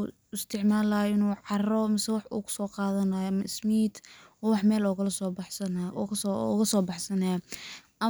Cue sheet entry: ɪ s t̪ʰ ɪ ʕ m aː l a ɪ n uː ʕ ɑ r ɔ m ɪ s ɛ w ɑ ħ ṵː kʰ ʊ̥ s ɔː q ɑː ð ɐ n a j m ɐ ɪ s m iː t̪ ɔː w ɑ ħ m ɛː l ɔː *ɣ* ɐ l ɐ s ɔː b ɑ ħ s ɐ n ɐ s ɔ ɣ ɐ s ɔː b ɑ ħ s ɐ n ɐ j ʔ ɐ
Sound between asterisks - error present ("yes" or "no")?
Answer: no